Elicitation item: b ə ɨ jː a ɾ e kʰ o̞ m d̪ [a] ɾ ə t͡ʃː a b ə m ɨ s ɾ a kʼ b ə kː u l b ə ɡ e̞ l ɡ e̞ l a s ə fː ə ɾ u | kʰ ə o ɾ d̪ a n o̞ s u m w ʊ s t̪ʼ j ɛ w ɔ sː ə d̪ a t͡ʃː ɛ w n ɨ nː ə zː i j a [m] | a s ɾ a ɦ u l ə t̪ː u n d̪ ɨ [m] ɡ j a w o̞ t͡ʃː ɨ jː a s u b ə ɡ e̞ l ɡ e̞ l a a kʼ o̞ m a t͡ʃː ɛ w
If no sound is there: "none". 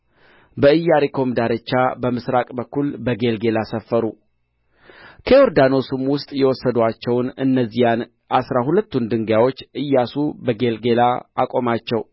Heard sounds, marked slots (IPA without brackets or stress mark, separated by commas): a, n, ŋ